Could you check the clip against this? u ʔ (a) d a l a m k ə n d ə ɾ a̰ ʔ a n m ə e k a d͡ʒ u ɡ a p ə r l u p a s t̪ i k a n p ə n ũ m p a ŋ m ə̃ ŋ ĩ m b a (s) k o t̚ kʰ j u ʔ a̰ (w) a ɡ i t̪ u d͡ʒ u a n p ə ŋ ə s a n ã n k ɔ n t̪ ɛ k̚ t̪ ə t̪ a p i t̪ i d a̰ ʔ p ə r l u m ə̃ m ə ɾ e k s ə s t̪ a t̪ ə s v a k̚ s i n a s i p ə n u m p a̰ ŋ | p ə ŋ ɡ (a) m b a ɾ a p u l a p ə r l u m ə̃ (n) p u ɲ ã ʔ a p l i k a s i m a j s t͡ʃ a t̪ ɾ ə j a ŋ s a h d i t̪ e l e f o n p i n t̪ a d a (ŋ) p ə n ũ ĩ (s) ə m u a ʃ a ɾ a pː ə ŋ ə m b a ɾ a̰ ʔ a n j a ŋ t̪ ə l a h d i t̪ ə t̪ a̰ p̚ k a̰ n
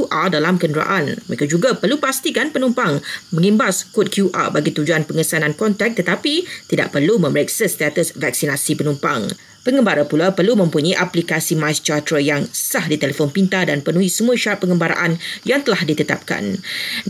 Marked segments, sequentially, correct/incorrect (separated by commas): correct, correct, incorrect, incorrect, incorrect, incorrect, correct